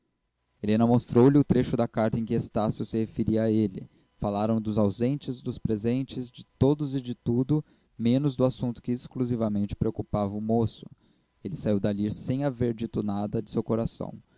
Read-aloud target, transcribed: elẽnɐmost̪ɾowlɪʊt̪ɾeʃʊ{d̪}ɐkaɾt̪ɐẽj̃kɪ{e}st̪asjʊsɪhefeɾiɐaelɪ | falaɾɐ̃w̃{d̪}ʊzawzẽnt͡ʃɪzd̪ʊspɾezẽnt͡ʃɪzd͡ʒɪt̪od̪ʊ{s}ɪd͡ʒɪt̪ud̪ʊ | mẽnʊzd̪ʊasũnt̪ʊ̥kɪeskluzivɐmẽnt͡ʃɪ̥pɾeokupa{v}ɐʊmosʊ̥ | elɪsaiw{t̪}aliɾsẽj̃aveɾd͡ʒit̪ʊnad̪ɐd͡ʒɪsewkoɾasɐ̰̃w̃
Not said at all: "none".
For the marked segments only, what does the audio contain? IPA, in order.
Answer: d̪, e, d̪, z, v, d̪

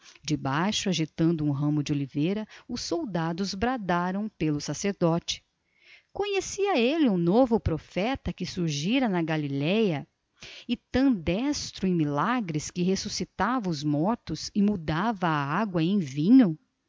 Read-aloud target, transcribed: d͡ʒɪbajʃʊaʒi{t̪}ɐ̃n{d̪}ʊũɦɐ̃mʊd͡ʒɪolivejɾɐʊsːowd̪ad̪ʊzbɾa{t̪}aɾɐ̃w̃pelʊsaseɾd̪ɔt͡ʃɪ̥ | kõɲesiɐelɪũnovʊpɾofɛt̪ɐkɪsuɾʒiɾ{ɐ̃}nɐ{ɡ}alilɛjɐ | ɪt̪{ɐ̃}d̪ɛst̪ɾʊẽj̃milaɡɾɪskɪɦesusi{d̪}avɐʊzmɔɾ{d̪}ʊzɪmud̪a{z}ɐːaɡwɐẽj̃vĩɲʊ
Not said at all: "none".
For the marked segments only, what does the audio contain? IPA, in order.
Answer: t̪, d̪, d̪, ɐ, ɡ, ɐ̃, t̪, t̪, v

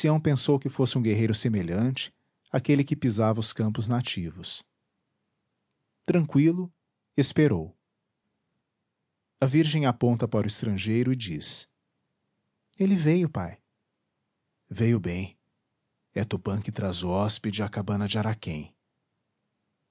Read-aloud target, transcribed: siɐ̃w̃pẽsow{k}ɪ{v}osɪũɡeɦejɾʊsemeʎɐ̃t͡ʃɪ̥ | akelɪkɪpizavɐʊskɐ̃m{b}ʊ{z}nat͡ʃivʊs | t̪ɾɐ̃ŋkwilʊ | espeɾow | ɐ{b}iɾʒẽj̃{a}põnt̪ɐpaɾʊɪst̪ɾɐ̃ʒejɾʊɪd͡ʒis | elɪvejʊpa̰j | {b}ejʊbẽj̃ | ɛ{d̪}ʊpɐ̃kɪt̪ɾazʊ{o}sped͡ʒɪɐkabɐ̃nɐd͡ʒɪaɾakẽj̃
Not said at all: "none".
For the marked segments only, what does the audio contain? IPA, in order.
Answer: k, f, p, z, v, a, v, t̪, ɔ

